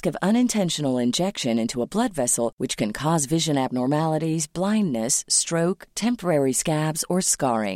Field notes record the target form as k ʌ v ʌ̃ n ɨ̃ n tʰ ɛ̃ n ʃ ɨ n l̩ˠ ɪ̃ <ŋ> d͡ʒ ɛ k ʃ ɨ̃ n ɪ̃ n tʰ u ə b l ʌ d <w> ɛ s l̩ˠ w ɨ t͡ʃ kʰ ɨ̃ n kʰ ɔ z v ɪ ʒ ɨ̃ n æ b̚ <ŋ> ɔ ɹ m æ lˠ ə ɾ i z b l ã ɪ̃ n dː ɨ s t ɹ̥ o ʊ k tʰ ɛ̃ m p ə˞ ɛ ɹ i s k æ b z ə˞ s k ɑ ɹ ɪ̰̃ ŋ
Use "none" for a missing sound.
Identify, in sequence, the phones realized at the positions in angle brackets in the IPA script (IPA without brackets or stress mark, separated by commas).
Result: n, v, n